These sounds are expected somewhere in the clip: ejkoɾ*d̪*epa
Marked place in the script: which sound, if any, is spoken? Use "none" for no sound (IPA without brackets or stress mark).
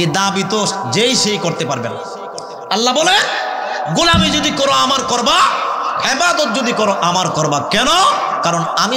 t̪